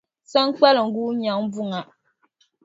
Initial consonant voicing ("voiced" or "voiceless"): voiceless